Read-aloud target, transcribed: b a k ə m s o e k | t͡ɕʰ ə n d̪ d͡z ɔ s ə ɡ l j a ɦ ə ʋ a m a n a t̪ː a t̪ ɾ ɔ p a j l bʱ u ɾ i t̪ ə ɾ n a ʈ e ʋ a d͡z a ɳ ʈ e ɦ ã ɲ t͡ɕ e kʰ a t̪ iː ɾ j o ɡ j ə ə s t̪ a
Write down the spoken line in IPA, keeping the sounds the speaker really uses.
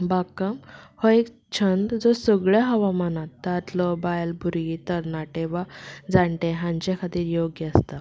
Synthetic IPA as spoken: b a k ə m h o e k | t͡ɕʰ ə n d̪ d͡z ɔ s ə ɡ ɭ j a ɦ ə ʋ a m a n a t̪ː a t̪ l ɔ b a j l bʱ u ɾ i t̪ ə ɾ n a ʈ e ʋ a d͡z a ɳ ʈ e ɦ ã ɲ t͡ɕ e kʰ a t̪ iː ɾ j o ɡ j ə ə s t̪ a